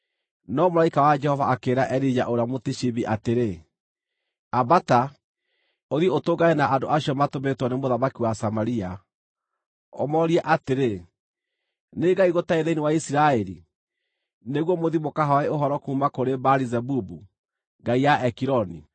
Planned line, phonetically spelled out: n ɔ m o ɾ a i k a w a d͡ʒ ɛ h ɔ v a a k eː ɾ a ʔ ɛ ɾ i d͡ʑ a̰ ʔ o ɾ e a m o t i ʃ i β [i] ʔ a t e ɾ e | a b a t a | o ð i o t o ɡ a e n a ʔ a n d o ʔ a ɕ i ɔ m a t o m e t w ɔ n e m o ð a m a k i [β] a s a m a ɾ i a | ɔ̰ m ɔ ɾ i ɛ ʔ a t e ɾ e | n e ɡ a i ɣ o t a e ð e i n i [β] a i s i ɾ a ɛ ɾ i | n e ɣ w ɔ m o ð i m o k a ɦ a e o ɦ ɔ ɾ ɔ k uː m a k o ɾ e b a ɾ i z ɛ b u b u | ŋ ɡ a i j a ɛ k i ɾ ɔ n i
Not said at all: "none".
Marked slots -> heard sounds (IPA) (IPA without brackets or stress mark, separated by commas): i, w, w